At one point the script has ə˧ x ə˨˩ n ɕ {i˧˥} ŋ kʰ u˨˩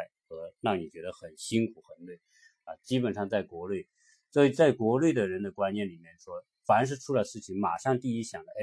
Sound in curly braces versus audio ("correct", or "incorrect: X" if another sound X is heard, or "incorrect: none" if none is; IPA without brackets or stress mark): incorrect: i˥